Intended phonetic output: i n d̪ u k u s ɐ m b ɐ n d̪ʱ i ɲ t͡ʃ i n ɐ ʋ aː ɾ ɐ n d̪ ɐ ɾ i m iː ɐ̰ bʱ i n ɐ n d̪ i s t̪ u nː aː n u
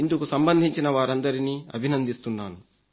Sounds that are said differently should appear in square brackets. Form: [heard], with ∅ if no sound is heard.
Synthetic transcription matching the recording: i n d̪ u k u s ɐ m b ɐ n d̪ʱ i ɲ t͡ʃ i n ɐ ʋ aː ɾ ɐ n d̪ ɐ ɾ i [n] iː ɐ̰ bʱ i n ɐ n d̪ i s t̪ u nː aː n u